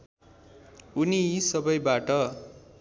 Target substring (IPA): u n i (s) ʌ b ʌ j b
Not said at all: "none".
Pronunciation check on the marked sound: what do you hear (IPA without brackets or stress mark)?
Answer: s